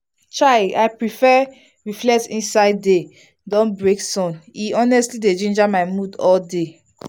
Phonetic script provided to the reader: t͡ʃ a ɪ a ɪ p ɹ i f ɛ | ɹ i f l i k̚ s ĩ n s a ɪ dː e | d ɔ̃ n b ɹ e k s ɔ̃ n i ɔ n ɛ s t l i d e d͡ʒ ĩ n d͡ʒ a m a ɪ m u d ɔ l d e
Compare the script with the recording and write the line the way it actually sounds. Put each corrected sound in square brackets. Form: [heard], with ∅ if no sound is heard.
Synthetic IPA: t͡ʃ a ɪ a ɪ p ɹ i f ɛ | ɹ i f l [ɛ] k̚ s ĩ n s a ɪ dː e | d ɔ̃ n b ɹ e k s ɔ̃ n i ɔ n ɛ s t l i d e d͡ʒ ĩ n d͡ʒ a m a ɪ m u d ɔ l d e